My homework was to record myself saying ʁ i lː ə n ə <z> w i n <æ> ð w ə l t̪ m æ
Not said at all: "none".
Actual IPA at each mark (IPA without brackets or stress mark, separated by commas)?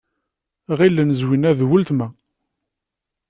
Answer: z, æ